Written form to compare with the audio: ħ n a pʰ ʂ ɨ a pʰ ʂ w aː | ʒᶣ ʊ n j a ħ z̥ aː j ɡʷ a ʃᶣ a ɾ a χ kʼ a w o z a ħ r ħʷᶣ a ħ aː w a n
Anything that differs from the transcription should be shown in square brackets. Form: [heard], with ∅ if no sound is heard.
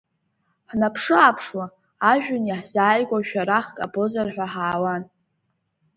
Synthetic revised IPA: ħ n a pʰ ʂ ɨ a pʰ ʂ w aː | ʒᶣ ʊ n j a ħ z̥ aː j ɡʷ a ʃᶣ a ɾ a χ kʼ a [b] o z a [∅] r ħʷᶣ a ħ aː w a n